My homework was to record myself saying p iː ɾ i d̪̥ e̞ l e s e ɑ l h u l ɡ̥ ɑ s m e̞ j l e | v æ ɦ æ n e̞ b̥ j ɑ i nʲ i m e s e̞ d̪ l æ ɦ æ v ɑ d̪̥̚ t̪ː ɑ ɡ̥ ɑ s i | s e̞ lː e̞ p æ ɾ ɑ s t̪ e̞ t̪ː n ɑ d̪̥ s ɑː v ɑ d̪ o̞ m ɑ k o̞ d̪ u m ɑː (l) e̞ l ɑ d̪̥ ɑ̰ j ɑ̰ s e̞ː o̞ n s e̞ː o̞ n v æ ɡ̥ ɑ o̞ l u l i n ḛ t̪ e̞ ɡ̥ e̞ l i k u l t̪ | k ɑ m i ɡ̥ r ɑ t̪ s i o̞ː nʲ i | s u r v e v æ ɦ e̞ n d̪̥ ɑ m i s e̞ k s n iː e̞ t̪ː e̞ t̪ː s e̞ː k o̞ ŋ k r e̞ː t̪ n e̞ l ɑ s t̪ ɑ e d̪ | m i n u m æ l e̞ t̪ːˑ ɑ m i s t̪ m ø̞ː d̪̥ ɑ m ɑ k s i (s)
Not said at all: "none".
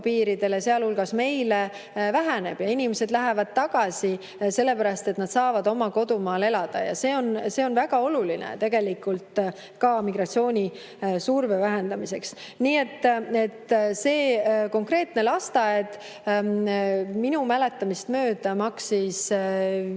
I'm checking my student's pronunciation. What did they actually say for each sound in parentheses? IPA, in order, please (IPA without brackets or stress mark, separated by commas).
l, s